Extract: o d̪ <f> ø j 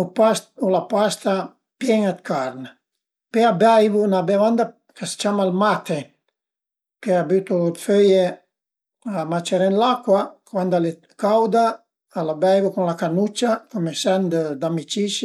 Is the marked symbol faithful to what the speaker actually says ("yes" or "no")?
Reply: yes